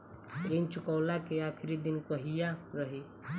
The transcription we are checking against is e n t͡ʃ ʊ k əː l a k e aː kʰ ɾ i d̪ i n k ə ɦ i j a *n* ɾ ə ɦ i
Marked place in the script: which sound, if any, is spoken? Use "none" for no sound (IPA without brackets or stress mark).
none